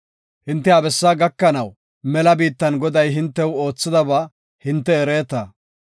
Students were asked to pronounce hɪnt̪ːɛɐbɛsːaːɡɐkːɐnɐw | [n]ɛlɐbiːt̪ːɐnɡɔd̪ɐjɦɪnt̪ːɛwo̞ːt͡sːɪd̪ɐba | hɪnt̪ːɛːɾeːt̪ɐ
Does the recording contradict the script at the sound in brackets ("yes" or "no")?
yes